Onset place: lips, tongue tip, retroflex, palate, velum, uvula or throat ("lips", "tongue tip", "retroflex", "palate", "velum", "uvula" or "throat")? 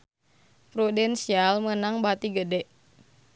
lips